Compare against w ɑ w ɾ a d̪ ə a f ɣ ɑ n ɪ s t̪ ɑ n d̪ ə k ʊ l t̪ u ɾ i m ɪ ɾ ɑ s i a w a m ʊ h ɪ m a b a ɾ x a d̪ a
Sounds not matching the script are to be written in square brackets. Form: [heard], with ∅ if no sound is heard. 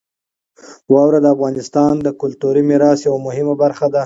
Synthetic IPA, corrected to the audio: w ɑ w ɾ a d̪ ə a f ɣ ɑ n ɪ s t̪ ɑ n d̪ ə k ʊ l t̪ u ɾ i m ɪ ɾ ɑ s [j] a w a m ʊ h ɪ m a b a ɾ x a d̪ a